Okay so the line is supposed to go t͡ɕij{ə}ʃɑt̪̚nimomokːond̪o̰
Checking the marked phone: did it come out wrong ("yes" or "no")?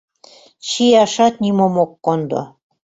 yes